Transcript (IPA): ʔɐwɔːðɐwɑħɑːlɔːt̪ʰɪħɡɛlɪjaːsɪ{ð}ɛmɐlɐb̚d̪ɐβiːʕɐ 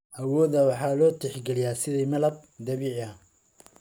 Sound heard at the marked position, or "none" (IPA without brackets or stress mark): ð